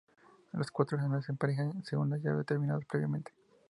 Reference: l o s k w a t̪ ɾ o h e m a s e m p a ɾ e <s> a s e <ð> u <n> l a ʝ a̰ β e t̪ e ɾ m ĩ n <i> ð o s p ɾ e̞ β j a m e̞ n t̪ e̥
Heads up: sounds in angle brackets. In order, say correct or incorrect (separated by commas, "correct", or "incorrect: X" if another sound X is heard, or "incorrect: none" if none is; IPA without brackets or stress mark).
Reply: incorrect: x, incorrect: ɣ, correct, incorrect: a